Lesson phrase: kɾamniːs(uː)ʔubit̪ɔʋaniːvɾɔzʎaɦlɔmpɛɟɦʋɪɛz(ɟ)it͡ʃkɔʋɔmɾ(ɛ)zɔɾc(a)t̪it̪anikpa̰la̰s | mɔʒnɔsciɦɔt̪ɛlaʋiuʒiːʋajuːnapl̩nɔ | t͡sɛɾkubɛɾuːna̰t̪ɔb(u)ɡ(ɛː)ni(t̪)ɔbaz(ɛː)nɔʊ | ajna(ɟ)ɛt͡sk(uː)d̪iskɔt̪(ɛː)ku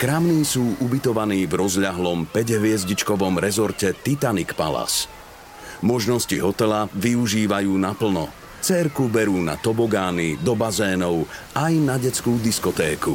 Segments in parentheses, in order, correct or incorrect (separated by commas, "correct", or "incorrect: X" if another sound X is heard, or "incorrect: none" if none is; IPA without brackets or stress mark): correct, correct, correct, incorrect: ɛ, incorrect: ɔ, incorrect: aː, incorrect: d̪, correct, correct, correct, correct